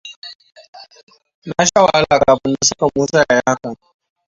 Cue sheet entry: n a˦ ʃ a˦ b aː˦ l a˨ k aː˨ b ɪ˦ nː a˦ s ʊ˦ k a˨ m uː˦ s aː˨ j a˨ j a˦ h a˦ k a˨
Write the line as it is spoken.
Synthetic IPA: n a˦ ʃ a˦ w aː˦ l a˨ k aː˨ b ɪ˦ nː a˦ s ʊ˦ k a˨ m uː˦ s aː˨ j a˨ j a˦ h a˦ k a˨

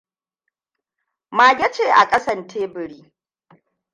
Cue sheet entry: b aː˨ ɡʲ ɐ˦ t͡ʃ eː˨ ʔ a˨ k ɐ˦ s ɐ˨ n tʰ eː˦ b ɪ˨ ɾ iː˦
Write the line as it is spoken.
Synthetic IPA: m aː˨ ɡʲ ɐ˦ t͡ʃ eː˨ ʔ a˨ kʼ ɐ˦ s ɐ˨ n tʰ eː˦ b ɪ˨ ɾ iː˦

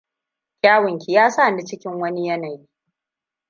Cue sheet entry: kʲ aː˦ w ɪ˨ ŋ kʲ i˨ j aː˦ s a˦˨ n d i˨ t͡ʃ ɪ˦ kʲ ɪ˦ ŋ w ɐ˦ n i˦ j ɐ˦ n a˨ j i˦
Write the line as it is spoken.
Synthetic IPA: kʲ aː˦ w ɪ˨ ŋ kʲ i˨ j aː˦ s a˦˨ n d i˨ t͡ʃ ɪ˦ kʲ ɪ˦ ŋ w ɐ˦ n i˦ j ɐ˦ n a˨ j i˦

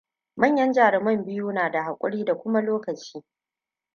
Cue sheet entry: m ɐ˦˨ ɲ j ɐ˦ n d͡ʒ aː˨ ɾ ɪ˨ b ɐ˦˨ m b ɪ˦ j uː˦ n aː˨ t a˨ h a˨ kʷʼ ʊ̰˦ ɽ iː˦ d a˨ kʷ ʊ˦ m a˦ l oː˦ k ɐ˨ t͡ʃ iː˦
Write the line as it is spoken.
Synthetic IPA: m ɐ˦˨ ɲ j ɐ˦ n d͡ʒ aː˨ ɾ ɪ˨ m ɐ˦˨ m b ɪ˦ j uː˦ n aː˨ d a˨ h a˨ kʷʼ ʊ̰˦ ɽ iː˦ d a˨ kʷ ʊ˦ m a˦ l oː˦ k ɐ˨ t͡ʃ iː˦

